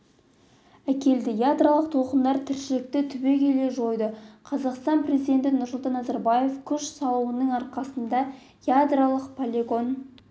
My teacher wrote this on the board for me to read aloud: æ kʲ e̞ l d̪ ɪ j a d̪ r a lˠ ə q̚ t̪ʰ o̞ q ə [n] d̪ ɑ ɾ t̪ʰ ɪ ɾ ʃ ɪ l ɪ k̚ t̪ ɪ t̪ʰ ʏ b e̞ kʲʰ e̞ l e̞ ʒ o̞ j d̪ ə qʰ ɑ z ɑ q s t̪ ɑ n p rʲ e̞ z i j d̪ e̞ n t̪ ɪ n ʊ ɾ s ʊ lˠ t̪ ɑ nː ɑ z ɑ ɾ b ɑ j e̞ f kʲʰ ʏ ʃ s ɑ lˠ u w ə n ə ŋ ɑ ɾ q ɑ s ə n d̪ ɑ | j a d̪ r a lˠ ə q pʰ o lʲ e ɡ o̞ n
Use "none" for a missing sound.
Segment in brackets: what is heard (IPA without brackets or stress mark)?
n